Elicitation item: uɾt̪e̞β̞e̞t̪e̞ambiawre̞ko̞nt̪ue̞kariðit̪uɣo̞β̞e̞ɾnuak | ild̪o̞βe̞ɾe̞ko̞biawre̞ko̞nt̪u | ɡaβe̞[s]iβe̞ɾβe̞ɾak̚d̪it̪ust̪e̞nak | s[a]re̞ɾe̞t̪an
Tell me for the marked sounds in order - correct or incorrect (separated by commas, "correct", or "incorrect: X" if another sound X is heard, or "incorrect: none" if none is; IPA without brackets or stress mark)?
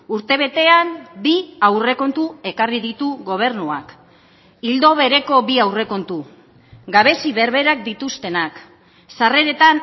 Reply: correct, correct